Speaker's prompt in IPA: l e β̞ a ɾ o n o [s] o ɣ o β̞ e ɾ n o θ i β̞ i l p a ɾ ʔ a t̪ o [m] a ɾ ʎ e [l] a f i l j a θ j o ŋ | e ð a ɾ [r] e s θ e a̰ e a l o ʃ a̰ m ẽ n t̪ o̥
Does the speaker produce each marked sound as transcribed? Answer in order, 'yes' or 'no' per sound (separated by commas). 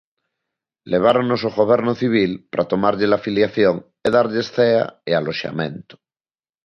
yes, yes, yes, no